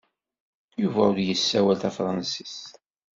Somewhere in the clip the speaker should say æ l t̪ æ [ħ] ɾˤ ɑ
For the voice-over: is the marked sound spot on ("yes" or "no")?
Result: no